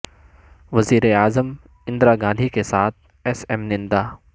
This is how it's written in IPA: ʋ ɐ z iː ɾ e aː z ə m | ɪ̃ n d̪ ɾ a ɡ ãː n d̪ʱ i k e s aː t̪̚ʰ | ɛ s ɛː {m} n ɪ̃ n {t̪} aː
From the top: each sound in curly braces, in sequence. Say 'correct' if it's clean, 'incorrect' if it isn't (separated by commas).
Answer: correct, incorrect